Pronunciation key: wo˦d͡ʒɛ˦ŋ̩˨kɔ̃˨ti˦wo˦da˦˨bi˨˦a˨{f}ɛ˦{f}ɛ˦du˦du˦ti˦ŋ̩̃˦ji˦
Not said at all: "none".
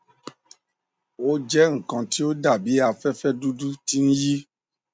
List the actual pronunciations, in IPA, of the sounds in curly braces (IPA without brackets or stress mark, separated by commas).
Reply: f, f